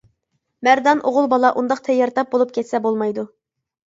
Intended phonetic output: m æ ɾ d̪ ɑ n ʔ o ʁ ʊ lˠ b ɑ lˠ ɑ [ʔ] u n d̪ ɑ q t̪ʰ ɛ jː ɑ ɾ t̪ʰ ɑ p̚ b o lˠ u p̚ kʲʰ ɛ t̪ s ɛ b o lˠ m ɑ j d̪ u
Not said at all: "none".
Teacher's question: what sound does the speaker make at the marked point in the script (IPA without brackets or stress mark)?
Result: ʔ